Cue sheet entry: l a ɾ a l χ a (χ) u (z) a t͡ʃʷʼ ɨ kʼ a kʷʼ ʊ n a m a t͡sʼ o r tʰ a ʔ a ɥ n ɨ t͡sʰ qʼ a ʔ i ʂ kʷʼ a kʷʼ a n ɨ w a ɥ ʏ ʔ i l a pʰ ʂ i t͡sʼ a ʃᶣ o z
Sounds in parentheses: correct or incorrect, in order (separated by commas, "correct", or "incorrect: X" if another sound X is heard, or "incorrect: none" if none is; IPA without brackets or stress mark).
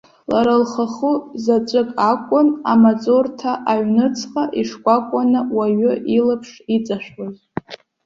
correct, correct